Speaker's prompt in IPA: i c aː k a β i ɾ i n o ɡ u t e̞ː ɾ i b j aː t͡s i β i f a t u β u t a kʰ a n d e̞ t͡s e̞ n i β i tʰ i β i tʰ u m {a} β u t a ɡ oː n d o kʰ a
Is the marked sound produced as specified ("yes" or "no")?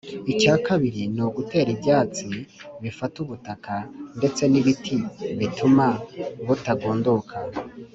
yes